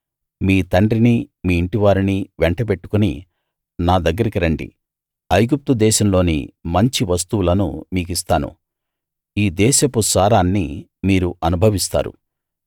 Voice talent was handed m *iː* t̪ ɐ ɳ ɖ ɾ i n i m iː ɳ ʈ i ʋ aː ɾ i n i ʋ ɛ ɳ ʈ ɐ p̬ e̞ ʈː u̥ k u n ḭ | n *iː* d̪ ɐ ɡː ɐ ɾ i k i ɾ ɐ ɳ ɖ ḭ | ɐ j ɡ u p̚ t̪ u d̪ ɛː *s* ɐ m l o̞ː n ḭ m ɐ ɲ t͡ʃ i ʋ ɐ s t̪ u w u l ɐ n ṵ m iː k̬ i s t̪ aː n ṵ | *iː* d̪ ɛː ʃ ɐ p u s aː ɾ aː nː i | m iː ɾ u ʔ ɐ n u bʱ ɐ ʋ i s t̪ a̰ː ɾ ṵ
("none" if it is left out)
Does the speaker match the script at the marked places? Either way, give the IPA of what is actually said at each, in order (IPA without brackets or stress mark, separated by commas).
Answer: iː, aː, ʃ, iː